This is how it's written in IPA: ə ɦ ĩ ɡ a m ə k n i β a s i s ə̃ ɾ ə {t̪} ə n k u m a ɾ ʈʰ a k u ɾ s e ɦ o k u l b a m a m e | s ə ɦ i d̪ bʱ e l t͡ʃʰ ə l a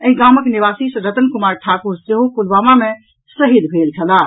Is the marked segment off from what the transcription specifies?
no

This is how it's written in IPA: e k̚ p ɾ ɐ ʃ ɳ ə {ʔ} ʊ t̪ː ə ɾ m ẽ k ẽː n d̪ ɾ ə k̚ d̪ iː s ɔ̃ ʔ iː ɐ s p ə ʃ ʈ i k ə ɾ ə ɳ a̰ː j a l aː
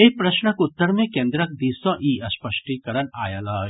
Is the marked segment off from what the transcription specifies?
yes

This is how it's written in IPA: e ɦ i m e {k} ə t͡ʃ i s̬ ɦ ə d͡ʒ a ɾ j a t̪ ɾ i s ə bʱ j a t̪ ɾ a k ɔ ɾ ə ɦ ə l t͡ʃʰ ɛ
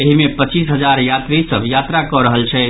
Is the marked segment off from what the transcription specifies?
yes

